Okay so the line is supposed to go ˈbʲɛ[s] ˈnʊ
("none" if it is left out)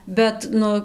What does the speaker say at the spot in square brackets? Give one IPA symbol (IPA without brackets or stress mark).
t